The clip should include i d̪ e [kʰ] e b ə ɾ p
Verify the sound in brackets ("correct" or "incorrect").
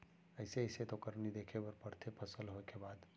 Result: correct